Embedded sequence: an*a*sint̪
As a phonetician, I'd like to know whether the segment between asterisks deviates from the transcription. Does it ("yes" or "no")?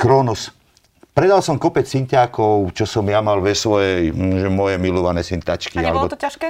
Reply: yes